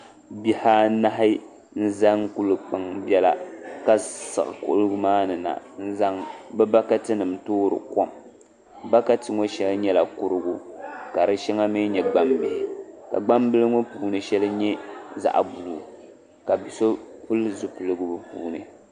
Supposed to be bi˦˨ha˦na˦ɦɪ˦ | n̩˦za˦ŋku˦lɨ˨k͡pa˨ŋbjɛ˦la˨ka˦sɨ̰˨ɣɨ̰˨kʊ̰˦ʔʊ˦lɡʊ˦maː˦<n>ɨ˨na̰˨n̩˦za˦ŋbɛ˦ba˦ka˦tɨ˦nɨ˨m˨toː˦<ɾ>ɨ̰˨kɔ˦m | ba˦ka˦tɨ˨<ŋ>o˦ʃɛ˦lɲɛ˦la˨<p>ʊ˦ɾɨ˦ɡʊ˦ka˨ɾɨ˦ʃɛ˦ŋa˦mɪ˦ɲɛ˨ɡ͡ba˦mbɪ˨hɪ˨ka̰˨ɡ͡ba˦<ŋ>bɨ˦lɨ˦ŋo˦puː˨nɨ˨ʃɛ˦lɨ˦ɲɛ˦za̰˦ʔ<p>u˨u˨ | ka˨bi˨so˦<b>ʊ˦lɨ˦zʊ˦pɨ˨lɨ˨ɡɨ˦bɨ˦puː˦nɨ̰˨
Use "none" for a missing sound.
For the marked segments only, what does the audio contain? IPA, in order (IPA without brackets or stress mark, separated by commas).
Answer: n, ɾ, ŋ, k, m, b, p